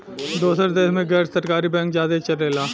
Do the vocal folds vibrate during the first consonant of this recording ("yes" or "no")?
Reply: yes